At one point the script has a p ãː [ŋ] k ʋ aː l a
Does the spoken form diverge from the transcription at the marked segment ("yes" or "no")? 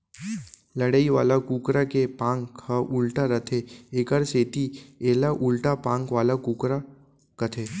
no